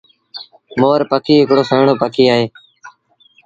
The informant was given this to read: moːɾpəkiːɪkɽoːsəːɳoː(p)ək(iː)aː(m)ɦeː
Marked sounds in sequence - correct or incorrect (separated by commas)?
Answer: correct, correct, incorrect